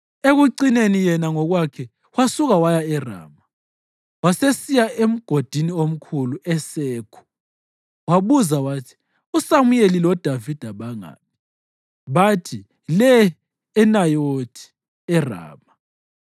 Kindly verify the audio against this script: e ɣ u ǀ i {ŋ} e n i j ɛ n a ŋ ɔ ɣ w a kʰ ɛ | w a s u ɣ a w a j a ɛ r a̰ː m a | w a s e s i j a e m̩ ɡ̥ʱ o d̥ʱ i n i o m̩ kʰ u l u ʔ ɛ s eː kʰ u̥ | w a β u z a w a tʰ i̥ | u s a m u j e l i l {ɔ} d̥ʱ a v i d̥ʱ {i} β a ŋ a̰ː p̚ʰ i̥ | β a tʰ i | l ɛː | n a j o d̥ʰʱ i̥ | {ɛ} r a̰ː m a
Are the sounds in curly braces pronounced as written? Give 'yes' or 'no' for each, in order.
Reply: no, yes, no, yes

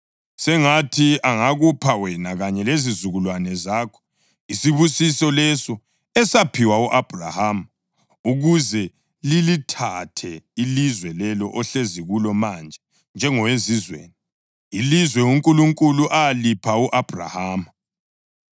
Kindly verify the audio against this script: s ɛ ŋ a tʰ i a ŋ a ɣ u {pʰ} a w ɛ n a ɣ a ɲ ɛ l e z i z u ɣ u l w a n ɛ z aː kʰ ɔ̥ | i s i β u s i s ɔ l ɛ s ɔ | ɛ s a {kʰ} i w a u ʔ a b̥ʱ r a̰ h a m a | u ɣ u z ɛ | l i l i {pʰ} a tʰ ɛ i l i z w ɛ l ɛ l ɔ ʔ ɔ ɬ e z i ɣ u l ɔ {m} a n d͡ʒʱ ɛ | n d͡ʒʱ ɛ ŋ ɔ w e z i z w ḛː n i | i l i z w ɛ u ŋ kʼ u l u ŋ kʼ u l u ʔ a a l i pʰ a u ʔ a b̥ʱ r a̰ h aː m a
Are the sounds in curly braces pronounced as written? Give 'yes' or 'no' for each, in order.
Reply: yes, no, no, yes

